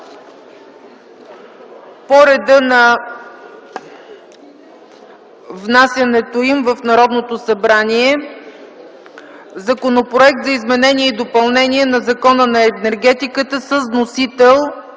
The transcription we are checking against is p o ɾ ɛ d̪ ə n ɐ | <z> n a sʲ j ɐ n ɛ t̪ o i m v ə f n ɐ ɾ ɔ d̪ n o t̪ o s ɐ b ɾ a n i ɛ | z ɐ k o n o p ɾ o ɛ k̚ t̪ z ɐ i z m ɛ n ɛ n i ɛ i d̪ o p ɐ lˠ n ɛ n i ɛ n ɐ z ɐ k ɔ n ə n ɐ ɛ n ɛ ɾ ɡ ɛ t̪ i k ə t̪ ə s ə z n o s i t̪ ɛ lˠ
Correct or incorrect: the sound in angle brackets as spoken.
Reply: incorrect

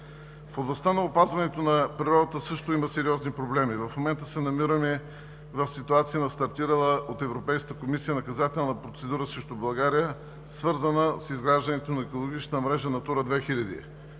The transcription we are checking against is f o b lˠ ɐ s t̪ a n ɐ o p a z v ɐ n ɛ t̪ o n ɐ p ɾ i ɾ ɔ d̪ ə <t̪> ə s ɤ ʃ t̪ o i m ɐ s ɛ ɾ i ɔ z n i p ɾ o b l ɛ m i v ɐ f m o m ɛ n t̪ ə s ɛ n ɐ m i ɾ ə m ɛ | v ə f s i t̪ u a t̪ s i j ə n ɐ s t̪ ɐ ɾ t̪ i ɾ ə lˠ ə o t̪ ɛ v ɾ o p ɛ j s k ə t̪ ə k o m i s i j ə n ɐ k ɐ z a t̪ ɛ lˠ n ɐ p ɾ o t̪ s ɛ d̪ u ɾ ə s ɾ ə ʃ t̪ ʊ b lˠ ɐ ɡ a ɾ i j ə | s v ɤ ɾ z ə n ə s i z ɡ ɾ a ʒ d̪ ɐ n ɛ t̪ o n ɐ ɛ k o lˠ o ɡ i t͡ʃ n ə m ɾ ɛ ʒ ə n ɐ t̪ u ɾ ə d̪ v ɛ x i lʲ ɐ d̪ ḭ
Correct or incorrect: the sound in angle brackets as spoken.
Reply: correct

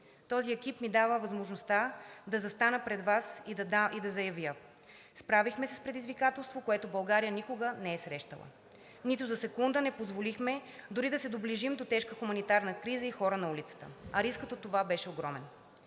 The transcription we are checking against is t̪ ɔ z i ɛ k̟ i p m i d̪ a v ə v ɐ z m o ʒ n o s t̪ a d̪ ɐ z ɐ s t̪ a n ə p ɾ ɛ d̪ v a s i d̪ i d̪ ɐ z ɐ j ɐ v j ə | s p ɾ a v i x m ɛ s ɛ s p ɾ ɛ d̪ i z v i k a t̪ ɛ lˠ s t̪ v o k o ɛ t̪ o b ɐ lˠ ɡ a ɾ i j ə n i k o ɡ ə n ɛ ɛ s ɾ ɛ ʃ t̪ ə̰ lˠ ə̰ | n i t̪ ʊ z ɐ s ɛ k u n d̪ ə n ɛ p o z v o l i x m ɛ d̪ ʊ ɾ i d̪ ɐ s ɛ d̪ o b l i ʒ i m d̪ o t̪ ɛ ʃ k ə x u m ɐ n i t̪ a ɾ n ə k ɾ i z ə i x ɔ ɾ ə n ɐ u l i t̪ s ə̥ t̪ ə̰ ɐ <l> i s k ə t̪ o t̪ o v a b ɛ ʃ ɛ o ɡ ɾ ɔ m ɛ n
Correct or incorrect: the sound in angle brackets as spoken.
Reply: incorrect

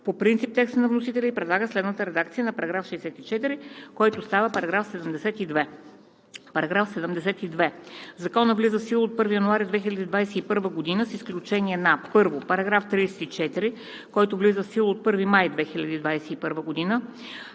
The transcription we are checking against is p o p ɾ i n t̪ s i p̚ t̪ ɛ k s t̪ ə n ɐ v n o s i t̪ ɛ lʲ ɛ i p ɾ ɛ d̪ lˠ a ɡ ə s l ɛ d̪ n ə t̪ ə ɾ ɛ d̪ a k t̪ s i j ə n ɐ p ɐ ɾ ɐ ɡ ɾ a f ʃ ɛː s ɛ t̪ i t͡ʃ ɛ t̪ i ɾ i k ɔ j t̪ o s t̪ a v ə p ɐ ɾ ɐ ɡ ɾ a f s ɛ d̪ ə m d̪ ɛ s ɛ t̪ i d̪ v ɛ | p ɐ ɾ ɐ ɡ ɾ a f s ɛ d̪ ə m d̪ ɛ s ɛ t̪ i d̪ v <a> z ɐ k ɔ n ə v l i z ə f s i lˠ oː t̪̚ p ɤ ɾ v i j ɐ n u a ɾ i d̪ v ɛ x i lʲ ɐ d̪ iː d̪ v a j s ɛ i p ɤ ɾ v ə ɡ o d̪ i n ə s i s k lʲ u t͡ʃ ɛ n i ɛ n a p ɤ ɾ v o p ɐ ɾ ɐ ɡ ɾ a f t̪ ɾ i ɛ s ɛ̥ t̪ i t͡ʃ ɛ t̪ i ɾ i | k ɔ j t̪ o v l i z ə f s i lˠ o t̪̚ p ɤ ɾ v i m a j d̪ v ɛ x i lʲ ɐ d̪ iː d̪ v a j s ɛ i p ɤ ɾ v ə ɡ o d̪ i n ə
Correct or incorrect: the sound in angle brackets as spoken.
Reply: incorrect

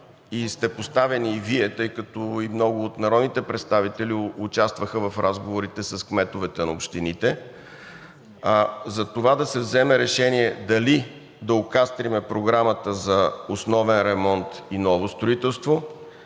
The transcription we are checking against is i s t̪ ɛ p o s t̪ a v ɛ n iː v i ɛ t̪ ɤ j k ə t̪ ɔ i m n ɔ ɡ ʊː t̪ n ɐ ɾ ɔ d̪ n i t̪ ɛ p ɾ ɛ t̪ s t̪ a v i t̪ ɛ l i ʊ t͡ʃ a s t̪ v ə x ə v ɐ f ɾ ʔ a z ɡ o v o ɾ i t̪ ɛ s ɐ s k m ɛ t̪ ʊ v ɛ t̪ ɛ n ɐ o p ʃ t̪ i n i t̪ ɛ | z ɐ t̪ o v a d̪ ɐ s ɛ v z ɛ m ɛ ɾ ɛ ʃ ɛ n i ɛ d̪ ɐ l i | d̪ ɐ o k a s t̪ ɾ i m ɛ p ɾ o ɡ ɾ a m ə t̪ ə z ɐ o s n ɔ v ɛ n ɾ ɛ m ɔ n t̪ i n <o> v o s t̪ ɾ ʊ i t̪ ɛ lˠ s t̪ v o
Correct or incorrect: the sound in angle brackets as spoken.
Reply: incorrect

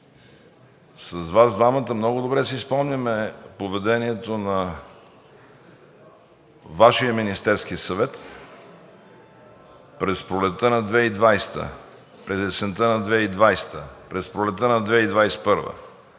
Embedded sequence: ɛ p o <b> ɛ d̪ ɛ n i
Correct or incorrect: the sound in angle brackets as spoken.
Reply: incorrect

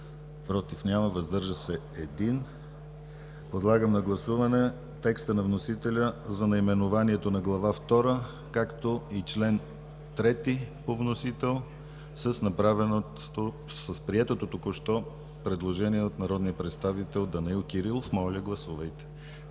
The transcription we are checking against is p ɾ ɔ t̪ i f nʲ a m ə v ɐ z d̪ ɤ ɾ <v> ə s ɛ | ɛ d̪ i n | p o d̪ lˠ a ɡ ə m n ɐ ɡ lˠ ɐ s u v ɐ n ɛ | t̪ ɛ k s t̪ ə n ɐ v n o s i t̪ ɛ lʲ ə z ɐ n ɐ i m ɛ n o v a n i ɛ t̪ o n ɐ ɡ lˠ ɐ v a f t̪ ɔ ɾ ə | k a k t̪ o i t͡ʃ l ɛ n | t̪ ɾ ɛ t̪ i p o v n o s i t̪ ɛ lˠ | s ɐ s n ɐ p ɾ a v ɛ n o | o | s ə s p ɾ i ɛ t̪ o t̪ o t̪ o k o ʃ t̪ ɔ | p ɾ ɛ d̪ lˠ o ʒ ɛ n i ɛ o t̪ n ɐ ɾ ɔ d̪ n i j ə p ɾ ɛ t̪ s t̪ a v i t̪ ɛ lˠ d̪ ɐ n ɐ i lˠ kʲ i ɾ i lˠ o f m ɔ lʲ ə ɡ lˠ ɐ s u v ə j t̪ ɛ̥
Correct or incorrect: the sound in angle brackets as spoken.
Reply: incorrect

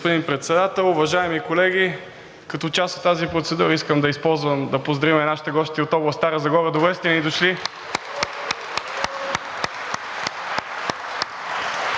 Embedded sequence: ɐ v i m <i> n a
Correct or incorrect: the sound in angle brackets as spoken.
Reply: incorrect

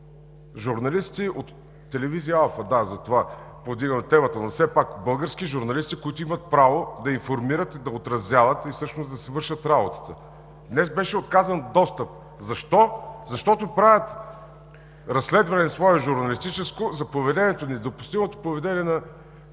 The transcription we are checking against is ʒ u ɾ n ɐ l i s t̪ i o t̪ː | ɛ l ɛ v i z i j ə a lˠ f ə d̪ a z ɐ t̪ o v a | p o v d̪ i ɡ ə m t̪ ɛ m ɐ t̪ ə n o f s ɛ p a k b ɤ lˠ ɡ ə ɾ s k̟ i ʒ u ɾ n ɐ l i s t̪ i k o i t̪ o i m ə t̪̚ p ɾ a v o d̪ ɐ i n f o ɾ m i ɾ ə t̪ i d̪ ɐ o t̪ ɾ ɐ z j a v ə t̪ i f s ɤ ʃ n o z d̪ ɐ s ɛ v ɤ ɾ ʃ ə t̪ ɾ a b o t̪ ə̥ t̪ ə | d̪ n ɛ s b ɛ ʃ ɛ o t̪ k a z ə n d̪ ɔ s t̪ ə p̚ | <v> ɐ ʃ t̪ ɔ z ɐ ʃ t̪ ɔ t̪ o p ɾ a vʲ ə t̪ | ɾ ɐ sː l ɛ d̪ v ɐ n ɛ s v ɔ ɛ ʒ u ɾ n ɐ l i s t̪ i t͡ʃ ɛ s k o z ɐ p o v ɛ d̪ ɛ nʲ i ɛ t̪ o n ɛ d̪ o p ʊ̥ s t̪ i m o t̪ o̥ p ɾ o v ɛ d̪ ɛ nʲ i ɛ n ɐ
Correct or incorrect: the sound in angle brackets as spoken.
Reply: incorrect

